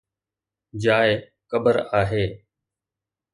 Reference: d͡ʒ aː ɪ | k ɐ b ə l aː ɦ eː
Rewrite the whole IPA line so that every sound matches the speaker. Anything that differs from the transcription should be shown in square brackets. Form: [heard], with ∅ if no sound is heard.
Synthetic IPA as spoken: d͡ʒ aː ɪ | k [ə] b ə [ɾ] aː ɦ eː